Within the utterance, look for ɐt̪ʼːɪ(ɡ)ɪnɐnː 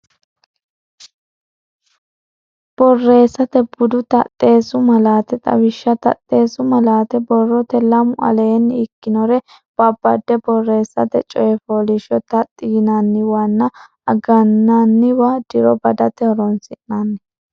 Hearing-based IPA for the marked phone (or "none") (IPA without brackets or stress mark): ɡ